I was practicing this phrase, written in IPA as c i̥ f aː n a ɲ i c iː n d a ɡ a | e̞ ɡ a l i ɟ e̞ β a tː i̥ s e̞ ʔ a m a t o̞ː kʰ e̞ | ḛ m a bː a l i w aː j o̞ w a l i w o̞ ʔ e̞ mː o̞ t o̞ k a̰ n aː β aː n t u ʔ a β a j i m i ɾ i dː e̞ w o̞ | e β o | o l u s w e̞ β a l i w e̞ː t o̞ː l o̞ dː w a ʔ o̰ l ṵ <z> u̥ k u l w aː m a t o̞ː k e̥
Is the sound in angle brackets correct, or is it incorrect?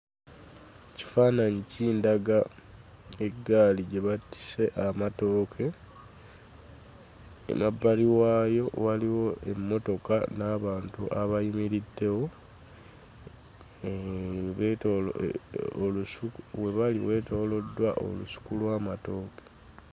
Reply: incorrect